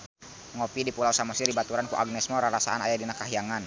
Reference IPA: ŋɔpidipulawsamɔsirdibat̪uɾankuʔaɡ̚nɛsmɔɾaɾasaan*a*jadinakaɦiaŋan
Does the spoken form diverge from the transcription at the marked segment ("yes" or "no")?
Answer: no